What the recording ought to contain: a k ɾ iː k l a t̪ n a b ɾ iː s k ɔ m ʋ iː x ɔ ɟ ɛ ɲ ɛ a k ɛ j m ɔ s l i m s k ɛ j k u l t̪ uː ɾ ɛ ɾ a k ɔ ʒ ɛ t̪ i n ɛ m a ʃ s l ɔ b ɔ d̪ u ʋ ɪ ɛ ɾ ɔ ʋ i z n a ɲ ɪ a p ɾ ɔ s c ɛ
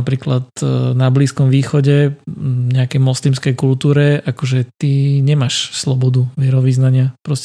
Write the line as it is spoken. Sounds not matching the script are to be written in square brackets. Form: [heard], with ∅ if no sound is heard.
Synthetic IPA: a [p] ɾ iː k l a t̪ n a b [l] iː s k ɔ m ʋ iː x ɔ ɟ ɛ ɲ ɛ a k ɛ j m ɔ s l i m s k ɛ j k u l t̪ uː ɾ ɛ [∅] a k ɔ ʒ ɛ t̪ i [ɲ] ɛ m a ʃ s l ɔ b ɔ d̪ u ʋ ɪ ɛ ɾ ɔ ʋ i z n a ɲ ɪ a p ɾ ɔ s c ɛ